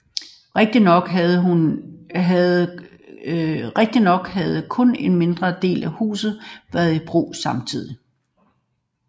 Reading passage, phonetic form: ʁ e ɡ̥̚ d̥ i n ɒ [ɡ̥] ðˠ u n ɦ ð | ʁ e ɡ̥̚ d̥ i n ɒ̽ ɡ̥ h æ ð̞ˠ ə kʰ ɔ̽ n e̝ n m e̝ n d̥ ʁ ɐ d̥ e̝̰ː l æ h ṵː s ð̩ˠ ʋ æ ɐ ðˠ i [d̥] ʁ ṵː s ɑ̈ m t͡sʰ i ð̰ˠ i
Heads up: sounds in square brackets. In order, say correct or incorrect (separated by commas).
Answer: correct, incorrect